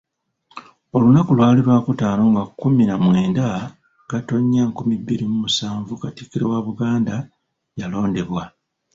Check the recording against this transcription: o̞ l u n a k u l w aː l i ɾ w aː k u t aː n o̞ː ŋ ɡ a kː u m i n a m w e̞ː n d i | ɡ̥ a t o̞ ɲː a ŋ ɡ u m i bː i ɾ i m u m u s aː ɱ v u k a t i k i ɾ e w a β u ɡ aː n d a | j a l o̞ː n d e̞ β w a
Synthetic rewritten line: o̞ l u n a k u l w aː l i ɾ w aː k u t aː n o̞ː ŋ ɡ a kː u m i n a m w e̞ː n d a | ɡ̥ a t o̞ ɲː a ŋ k u m i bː i ɾ i m u m u s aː ɱ v u k a t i k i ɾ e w a β u ɡ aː n d a | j a l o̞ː n d e̞ β w a